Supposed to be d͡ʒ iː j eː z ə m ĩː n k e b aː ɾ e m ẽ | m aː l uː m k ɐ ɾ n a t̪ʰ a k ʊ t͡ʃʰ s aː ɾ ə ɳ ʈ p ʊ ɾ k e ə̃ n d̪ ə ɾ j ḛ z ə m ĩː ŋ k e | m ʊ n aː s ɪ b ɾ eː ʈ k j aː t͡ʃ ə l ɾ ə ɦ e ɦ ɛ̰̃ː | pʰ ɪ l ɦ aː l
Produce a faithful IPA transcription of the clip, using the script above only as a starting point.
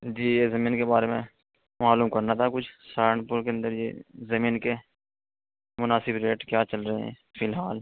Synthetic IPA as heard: d͡ʒ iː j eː z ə m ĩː n k e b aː ɾ e m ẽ | m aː l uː m k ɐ ɾ n a t̪ʰ a k ʊ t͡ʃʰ s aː ɾ ə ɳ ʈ p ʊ ɾ k e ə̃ n d̪ ə ɾ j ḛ z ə m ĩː n k e | m ʊ n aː s ɪ b ɾ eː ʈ k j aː t͡ʃ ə l ɾ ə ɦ e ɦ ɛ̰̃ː | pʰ ɪ l ɦ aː l